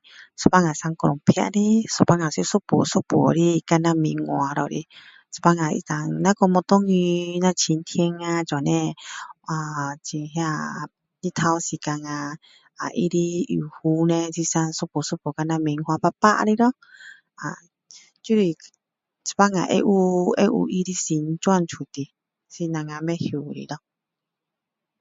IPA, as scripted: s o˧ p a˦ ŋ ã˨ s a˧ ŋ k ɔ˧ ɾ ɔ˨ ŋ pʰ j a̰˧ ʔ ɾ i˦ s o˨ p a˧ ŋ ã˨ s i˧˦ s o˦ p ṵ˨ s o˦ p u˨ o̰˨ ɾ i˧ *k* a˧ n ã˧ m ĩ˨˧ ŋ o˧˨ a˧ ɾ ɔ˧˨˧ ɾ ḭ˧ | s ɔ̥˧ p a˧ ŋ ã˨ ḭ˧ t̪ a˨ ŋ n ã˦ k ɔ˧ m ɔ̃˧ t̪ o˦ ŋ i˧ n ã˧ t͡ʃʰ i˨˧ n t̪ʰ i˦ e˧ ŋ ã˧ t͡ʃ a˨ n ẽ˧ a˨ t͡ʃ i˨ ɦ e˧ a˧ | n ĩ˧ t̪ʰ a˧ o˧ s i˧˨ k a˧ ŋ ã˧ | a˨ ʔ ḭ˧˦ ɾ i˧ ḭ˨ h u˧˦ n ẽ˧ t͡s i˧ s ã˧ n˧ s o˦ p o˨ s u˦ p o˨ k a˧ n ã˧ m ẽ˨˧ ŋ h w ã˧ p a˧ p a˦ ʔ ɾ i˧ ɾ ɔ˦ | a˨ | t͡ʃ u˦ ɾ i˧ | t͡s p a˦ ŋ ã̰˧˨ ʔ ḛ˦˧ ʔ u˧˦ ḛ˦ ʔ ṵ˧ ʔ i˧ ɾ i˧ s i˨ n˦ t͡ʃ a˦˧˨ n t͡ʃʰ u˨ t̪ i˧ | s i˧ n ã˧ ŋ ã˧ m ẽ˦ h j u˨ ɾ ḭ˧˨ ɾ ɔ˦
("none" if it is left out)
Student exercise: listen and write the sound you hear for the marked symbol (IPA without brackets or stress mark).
k